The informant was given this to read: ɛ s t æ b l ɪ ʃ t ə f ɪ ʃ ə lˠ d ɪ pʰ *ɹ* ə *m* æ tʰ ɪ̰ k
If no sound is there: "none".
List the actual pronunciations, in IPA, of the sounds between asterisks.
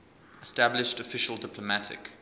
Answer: l, m

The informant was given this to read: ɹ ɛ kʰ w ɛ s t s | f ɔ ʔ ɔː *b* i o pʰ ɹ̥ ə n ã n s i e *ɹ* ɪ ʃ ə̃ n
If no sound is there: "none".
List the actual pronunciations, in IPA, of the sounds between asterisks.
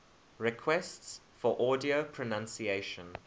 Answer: d, none

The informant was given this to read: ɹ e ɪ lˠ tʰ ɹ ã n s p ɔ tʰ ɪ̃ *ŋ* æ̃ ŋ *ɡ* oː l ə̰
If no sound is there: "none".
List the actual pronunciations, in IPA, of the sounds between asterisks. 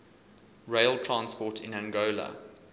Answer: n, ɡ

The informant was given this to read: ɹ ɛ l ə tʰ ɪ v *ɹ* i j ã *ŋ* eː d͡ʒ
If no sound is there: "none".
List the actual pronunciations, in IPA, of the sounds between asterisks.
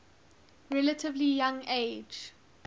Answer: l, ŋ

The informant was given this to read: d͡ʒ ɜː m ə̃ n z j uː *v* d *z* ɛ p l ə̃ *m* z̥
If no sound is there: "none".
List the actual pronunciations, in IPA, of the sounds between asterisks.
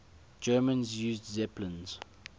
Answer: z, z, n

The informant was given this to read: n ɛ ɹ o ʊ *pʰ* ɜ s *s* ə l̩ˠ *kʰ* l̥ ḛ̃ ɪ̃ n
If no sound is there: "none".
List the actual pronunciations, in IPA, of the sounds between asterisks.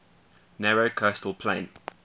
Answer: kʰ, t, pʰ

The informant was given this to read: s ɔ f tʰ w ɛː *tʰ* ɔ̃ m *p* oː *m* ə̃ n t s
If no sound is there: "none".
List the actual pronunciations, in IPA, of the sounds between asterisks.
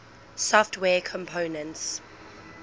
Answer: kʰ, pʰ, n

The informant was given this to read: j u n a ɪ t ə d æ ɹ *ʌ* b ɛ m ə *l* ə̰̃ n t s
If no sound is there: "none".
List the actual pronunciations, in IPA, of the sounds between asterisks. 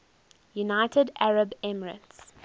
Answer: ə, ɹ

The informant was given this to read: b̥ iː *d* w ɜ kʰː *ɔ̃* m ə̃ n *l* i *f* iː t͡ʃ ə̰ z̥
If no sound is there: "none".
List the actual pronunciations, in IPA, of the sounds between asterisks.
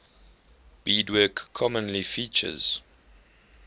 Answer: d, ɔ, l, f

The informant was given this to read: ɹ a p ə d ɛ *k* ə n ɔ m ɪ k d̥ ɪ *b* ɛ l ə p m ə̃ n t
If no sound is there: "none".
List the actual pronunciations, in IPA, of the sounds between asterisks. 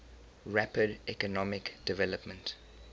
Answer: k, v

